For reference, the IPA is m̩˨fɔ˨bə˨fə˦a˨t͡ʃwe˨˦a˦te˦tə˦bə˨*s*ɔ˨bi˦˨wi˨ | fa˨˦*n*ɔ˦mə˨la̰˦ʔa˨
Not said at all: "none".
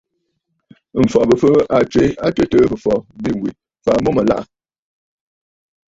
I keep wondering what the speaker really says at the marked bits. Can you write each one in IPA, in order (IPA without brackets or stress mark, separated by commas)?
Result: f, m